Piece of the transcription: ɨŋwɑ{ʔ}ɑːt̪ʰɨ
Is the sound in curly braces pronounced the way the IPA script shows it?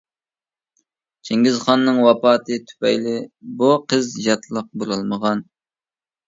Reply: no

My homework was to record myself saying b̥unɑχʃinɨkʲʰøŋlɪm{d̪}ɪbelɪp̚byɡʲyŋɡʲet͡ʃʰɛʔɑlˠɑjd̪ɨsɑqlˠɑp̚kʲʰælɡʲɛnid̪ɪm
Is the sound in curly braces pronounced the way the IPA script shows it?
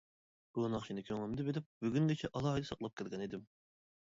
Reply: yes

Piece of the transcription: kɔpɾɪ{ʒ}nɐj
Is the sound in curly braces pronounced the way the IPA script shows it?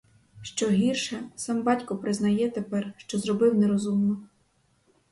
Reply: no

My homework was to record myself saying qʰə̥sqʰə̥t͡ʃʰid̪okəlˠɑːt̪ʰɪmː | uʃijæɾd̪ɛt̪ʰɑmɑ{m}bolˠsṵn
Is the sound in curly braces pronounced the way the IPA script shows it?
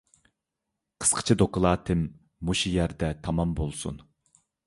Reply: yes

